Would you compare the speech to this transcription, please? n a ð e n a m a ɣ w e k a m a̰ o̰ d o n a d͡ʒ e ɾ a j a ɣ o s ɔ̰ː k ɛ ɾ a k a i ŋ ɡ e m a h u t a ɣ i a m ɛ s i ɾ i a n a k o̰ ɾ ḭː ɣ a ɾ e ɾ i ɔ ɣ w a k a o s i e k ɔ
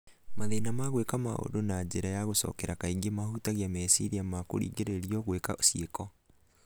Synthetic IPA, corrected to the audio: m a ð e n a m a ɣ w e k a m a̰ o̰ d o n a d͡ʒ e ɾ a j a ɣ o s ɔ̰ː k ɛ ɾ a k a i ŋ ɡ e m a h u t a ɣ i a m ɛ s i ɾ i a m a k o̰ ɾ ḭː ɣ e ɾ e ɾ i ɔ ɣ w e k a o s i e k ɔ